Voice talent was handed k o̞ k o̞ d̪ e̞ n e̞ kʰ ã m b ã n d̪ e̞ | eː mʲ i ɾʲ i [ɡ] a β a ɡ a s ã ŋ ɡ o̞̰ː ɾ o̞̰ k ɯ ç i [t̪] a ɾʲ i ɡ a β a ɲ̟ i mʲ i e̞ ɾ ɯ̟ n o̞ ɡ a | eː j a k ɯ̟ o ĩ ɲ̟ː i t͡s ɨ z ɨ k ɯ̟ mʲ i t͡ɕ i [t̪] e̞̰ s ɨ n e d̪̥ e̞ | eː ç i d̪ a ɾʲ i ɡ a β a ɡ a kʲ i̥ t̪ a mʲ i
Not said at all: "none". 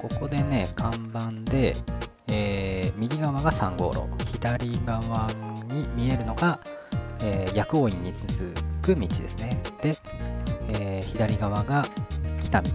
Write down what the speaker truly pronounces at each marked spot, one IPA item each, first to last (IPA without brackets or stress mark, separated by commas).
ɡ, d̪, d̪